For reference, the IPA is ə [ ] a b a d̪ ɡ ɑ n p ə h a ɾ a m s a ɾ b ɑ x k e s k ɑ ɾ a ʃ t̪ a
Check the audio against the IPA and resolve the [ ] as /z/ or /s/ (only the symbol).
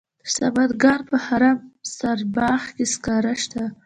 s